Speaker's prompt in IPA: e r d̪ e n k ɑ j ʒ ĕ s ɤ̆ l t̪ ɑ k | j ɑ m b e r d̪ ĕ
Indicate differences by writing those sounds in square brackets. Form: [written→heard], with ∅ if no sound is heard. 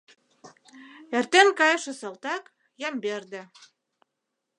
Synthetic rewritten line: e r [d̪→t̪] e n k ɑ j [ʒ→ʃ] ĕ s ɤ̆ l t̪ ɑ k | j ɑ m b e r d̪ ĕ

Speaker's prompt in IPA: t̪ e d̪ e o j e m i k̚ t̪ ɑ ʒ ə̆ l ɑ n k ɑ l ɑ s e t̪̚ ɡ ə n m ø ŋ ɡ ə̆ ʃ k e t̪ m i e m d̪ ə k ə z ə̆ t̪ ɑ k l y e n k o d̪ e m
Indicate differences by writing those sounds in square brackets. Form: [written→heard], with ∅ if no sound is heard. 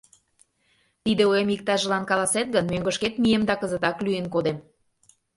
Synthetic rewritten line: t̪ [e→i] d̪ e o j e m i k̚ t̪ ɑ ʒ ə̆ l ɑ n k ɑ l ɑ s e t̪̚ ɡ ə n m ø ŋ ɡ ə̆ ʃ k e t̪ m i e m d̪ [ə→ɑ] k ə z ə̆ t̪ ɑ k l y e n k o d̪ e m

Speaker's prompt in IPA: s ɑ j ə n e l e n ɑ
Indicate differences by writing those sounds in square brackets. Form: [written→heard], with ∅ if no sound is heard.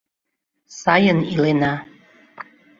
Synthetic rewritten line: s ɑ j ə n [e→i] l e n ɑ

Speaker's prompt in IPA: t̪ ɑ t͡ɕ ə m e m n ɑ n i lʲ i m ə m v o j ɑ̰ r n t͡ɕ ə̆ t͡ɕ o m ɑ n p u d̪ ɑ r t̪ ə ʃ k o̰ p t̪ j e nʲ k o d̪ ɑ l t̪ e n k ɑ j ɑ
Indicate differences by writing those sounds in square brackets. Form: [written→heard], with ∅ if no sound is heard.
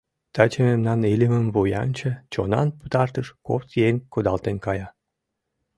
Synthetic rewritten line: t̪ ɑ t͡ɕ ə m e m n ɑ n i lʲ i m ə m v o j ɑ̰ [r→∅] n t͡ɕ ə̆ t͡ɕ o [m→n] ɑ n p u [d̪→t̪] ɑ r t̪ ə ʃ k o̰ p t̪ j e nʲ k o d̪ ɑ l t̪ e n k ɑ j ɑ

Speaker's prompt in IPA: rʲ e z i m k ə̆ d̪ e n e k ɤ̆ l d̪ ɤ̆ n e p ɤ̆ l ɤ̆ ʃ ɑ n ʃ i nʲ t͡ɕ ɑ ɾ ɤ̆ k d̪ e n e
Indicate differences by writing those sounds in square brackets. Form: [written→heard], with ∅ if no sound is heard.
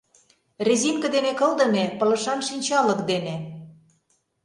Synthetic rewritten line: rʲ e z i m k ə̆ d̪ e n e k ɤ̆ l d̪ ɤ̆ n e p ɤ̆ l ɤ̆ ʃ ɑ n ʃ i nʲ t͡ɕ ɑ [ɾ→l] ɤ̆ k d̪ e n e

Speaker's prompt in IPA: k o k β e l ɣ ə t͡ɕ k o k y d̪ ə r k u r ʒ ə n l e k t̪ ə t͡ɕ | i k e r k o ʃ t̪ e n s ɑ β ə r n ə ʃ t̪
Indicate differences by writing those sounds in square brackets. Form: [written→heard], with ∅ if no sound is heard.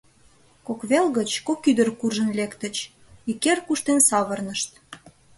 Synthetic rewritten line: k o k β e l ɣ ə t͡ɕ k o k y d̪ ə r k u r ʒ ə n l e k t̪ ə t͡ɕ | i k e r k [o→u] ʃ t̪ e n s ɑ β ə r n ə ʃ t̪

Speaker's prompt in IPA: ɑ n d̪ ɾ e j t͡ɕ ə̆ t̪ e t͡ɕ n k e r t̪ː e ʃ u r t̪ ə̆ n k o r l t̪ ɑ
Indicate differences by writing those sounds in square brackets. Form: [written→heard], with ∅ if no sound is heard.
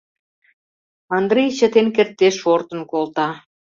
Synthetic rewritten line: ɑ n d̪ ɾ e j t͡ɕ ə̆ t̪ e [t͡ɕ→∅] n k e r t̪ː e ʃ [u→o] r t̪ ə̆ n k o [r→∅] l t̪ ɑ

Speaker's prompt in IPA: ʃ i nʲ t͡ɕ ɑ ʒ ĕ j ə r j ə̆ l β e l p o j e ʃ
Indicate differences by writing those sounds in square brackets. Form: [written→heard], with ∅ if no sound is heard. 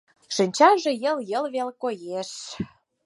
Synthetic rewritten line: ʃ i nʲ t͡ɕ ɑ ʒ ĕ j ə [r→l] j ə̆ l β e l [p→k] o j e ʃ

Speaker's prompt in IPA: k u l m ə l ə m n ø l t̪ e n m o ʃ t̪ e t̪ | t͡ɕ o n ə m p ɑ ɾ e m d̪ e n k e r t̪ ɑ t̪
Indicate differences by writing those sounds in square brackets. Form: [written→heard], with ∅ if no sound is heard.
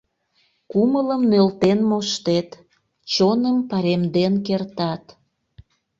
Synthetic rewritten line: k u [l→∅] m ə l ə m n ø l t̪ e n m o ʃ t̪ e t̪ | t͡ɕ o n ə m p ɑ ɾ e m d̪ e n k e r t̪ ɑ t̪

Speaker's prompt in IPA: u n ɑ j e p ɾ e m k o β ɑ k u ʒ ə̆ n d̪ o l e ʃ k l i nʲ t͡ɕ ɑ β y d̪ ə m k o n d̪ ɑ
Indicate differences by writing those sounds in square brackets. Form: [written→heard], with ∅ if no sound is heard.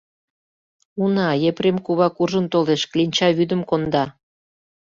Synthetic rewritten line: u n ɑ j e p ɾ e m k [o→u] β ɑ k u ʒ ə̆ n [d̪→t̪] o l e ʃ k l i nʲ t͡ɕ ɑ β y d̪ ə m k o n d̪ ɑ

